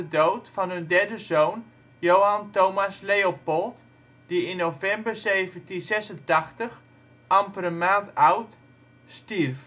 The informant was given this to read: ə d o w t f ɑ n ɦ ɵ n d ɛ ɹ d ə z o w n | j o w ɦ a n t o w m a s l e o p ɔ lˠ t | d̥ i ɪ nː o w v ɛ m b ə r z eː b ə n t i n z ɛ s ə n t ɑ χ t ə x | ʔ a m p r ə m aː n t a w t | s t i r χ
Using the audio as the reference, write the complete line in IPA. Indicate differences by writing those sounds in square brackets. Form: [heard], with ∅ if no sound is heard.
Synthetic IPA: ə d o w t f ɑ n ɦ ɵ n d ɛ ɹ d ə z o w n | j o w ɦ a n t o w m a s l e o p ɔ lˠ t | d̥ i ɪ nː o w v ɛ m b ə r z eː [v] ə n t i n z ɛ s ə n t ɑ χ t ə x | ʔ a m p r ə m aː n t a w t | s t i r [f]